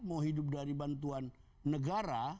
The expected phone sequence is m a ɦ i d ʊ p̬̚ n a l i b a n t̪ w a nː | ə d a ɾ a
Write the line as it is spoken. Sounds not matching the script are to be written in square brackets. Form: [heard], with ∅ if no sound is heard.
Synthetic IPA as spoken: m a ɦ i d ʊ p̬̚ [d] a [ɾ] i b a n t̪ [u] a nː | ə [ɡ] a ɾ a